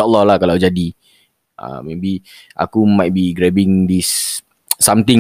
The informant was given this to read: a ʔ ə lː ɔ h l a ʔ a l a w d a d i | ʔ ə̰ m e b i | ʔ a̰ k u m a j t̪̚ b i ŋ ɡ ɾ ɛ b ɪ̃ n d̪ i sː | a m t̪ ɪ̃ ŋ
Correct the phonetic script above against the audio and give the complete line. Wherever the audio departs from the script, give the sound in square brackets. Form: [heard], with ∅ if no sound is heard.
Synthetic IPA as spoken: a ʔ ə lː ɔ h l a [k] a l a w [d͡ʒ] a d i | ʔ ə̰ m e b i | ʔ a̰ k u m a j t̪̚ b i [∅] ɡ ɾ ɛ b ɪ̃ [ŋ] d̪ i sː | a m t̪ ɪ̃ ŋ